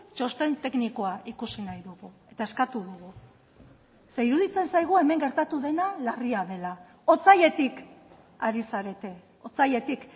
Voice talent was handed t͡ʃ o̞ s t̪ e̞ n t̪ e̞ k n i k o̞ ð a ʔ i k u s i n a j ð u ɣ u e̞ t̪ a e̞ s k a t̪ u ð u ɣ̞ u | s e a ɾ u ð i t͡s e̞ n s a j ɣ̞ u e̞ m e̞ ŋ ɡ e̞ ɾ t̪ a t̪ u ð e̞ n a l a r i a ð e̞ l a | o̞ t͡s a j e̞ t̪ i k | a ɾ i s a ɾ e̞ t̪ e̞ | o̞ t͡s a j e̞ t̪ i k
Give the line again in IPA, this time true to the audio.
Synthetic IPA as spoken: t͡ʃ o̞ s t̪ e̞ n t̪ e̞ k n i k o̞ a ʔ i k u s i n a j ð u ɣ u e̞ t̪ a e̞ s k a t̪ u ð u ɣ̞ u | s e i ɾ u ð i t͡s e̞ n s a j ɣ̞ u e̞ m e̞ ŋ ɡ e̞ ɾ t̪ a t̪ u ð e̞ n a l a r i a ð e̞ l a | o̞ t͡s a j e̞ t̪ i k | a ɾ i s a ɾ e̞ t̪ e̞ | o̞ t͡s a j e̞ t̪ i k